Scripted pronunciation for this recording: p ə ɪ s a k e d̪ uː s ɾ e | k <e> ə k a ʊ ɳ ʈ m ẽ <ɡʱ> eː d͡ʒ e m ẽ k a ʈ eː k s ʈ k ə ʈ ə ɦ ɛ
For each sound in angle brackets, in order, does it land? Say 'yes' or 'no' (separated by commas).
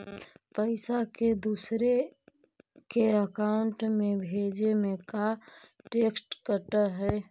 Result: yes, no